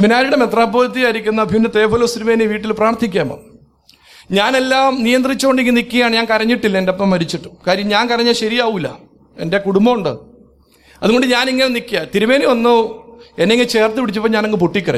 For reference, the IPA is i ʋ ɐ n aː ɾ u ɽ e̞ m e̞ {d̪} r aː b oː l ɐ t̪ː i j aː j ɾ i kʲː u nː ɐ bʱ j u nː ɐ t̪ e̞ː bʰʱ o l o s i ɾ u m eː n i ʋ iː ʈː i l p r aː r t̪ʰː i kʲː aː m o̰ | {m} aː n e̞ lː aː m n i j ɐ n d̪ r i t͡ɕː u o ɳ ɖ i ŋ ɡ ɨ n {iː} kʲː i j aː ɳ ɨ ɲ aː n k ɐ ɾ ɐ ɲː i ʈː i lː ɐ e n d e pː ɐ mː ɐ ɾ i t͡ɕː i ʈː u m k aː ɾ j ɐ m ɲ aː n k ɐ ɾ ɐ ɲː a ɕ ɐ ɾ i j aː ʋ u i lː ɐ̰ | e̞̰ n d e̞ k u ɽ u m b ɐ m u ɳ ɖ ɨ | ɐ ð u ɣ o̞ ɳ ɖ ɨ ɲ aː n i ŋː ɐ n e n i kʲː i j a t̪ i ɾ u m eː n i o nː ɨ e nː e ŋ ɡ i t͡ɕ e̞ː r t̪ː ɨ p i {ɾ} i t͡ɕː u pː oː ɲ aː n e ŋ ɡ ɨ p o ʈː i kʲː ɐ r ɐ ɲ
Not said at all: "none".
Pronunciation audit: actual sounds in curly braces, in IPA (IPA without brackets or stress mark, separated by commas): t̪, ɲ, i, ɽ